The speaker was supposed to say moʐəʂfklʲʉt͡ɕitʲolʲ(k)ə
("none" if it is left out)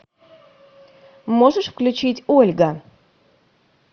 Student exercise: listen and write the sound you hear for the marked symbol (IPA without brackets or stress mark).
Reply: ɡ